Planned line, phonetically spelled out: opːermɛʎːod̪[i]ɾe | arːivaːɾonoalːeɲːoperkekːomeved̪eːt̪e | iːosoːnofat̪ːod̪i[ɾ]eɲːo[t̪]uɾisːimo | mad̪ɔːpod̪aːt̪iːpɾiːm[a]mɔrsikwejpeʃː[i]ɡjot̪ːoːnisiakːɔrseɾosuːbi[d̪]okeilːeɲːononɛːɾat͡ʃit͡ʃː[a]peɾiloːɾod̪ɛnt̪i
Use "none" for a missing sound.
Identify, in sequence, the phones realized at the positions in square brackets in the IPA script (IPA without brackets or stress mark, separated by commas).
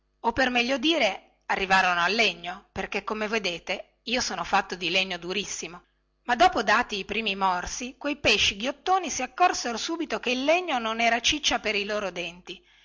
iː, l, d̪, i, i, t̪, a